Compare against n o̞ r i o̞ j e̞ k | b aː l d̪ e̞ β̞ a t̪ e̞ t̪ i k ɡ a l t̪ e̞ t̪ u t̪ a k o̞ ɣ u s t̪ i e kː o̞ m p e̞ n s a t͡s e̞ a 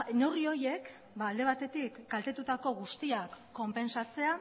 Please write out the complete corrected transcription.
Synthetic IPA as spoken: n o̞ r i o̞ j e̞ k | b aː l d̪ e̞ β̞ a t̪ e̞ t̪ i k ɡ a l t̪ e̞ t̪ u t̪ a k o̞ ɣ u s t̪ i a kː o̞ m p e̞ n s a t͡s e̞ a